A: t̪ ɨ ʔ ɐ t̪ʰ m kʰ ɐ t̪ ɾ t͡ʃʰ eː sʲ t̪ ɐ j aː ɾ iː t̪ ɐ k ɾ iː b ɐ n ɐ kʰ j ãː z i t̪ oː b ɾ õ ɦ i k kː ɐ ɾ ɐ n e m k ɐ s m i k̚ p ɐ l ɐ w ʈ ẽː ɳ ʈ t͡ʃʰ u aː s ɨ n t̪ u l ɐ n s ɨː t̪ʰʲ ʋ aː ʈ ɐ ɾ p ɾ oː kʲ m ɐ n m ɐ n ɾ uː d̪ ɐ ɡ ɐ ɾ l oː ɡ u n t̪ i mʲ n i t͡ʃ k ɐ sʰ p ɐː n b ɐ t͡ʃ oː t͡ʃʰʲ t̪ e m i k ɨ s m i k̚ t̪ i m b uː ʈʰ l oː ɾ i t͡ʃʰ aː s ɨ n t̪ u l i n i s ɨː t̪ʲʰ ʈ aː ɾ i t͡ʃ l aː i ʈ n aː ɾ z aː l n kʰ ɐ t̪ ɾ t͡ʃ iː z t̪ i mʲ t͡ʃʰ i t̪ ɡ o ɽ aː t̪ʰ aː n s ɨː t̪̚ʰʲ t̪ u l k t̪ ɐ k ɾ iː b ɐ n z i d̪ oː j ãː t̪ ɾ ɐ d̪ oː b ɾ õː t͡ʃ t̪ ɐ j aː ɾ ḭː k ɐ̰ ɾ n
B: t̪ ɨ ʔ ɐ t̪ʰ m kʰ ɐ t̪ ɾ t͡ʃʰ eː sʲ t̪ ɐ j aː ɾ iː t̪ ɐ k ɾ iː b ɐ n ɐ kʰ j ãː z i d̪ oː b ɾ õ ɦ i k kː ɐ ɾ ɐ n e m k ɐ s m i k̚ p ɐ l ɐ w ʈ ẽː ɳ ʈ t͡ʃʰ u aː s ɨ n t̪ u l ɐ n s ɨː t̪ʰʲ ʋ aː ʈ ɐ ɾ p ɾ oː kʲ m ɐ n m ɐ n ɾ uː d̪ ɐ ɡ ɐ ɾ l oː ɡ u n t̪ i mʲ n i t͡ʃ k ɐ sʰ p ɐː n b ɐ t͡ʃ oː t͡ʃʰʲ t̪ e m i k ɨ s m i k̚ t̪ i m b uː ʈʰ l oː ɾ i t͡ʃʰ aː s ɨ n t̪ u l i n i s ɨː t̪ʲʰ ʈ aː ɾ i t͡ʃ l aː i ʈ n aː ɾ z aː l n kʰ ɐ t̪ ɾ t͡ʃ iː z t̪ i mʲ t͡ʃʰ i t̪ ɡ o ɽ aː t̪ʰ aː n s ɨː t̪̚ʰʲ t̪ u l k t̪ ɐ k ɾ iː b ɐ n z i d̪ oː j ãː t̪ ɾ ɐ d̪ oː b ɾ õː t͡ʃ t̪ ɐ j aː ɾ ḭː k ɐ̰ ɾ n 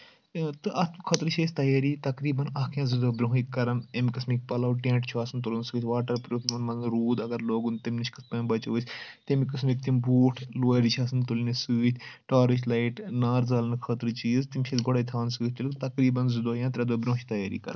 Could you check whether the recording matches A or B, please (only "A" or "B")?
B